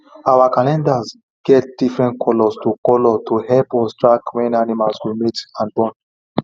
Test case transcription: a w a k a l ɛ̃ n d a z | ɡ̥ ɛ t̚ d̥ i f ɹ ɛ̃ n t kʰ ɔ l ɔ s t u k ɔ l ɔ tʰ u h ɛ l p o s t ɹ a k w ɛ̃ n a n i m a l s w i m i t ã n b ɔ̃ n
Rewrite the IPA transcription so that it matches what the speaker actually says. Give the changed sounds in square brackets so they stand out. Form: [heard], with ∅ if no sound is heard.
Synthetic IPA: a w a k a l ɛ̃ n d a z | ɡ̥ ɛ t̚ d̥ i f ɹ ɛ̃ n t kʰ ɔ l ɔ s t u k ɔ l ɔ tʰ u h ɛ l p [ɔ] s t ɹ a k w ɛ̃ n a n i m a l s w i m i t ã n b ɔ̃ n